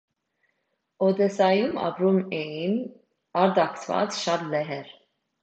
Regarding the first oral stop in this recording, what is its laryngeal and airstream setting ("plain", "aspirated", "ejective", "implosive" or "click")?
plain